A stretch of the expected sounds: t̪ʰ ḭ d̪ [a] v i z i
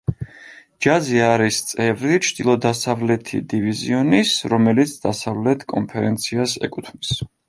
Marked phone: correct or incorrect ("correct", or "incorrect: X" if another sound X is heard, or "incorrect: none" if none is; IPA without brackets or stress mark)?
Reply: incorrect: i